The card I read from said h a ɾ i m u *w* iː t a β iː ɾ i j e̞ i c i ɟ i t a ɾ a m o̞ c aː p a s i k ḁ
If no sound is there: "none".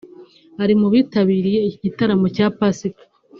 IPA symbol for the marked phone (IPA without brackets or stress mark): β